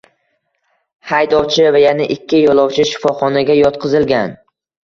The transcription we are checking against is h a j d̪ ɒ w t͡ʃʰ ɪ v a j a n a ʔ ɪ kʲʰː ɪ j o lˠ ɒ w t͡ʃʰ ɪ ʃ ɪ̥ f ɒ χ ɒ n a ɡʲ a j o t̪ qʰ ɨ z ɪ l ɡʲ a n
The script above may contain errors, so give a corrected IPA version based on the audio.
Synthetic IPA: h a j d̪ ɒ w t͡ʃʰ ɪ v a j a n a ʔ ɪ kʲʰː ɪ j ɒ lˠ ɒ w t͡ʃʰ ɪ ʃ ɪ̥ f ɒ χ ɒ n a ɡʲ a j ɒ t̪ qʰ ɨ z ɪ l ɡʲ a n

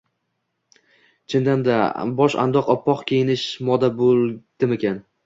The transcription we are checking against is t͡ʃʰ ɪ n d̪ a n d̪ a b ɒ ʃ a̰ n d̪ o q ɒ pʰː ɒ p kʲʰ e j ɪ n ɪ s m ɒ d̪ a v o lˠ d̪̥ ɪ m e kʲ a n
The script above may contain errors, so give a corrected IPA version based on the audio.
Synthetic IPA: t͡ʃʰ ɪ n d̪ a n d̪ a b ɒ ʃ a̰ n d̪ ɒ q ɒ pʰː ɒ q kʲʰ e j ɪ n ɪ ʃ m ɒ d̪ a b o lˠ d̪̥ ɪ m e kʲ a n

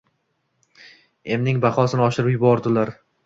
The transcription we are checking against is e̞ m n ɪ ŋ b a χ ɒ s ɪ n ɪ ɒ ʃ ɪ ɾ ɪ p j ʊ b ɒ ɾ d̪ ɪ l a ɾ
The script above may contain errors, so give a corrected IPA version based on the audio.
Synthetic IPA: e̞ m n ɪ ŋ b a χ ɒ s ɪ n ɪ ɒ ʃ ɪ ɾ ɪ p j ʊ b ɒ ɾ d̪ ɪ l a ɾ

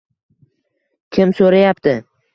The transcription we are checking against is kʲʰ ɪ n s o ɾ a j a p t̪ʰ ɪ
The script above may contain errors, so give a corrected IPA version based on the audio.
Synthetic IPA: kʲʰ ɪ m s o ɾ a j a p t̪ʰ ɪ

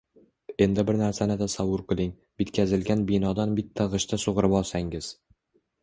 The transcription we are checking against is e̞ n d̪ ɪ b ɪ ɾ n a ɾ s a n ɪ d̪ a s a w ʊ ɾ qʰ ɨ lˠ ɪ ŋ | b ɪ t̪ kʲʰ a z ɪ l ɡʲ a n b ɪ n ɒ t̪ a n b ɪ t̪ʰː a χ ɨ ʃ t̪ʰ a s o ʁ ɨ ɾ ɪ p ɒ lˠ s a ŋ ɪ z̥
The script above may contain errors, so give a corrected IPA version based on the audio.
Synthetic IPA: e̞ n d̪ ɪ b ɪ ɾ n a ɾ s a n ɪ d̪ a s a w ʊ ɾ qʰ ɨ lˠ ɪ ŋ | b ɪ t̪ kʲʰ a z ɪ l ɡʲ a n b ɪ n ɒ d̪ a n b ɪ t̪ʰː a ʁ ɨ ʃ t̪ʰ a s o ʁ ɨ ɾ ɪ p ɒ lˠ s a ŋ ɪ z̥

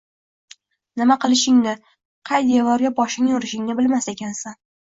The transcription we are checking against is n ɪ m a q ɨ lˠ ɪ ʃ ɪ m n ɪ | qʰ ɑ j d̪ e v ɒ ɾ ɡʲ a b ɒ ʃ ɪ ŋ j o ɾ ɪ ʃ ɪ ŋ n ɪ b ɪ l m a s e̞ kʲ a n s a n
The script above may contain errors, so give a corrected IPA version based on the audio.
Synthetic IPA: n ɪ m a q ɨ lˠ ɪ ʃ ɪ ŋ n ɪ | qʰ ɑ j d̪ e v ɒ ɾ ɡʲ a b ɒ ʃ ɪ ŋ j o ɾ ɪ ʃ ɪ ŋ n ɪ b ɪ l m a s e̞ kʲ a n s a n

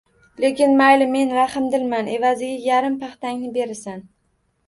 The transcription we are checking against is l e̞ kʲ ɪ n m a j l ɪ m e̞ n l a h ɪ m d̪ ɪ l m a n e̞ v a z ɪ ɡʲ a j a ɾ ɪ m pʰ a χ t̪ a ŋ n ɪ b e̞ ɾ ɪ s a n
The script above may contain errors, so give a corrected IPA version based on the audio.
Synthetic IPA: l e̞ kʲ ɪ n m a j l ɪ m e̞ n ɾ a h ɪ m d̪ ɪ l m a n e̞ v a z ɪ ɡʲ a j a ɾ ɪ m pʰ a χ t̪ a ŋ n ɪ b e̞ ɾ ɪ s a n

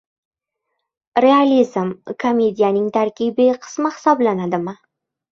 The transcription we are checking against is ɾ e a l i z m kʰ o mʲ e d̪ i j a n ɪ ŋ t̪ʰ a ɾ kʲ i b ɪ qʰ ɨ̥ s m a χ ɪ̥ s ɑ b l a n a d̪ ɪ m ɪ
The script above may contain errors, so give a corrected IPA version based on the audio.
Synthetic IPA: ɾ e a l i z m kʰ o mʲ e d̪ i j a n ɪ ŋ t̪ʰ a ɾ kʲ i b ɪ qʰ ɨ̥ s m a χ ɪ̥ s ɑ b l a n a d̪ ɪ m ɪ

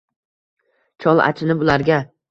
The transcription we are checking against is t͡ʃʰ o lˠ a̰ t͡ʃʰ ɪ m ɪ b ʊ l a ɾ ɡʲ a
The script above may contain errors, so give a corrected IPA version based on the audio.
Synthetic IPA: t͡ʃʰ ɒ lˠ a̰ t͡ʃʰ ɪ n ɪ b ʊ l a ɾ ɡʲ a

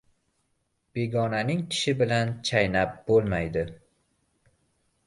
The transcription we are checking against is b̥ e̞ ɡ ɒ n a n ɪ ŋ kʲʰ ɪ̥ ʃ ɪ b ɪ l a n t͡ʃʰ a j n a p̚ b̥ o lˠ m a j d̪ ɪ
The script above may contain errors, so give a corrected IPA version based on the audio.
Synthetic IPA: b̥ e̞ ɡ ɒ n a n ɪ ŋ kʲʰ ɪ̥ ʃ ɪ b ɪ l a n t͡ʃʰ a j n a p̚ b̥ o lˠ m a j d̪ ɪ

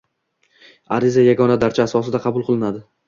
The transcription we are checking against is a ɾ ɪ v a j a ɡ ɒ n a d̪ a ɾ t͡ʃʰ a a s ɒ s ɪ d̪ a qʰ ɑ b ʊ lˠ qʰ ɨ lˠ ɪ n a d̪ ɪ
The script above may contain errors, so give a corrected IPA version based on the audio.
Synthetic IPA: a ɾ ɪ z a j a ɡ ɒ n a d̪ a ɾ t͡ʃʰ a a s ɒ s ɪ d̪ a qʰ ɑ b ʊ lˠ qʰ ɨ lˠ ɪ n a d̪ ɪ

